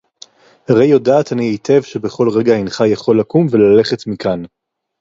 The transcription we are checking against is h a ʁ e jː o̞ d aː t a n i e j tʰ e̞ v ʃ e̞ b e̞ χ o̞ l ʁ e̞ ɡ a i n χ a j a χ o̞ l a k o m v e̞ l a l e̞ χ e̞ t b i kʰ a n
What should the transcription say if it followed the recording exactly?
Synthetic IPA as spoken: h a ʁ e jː o̞ d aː t a n i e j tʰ e̞ v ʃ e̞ b e̞ χ o̞ l ʁ e̞ ɡ a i n χ a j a χ o̞ l a k u m v e̞ l a l e̞ χ e̞ t m i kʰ a n